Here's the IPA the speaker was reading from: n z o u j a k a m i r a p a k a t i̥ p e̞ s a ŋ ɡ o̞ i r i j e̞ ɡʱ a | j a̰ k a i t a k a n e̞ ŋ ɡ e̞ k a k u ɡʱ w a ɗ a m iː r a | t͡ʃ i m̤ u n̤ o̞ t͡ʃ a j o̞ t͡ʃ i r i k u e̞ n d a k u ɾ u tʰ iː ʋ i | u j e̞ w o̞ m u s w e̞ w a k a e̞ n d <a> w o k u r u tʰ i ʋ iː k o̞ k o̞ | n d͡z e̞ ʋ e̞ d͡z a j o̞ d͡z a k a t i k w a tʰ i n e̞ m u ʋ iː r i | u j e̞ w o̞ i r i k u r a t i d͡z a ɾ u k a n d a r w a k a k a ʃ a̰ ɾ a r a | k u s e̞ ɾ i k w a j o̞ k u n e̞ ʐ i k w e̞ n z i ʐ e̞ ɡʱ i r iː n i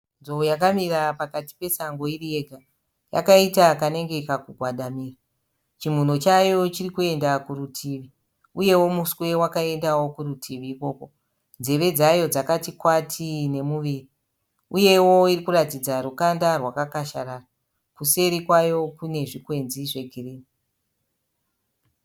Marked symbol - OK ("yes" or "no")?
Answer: yes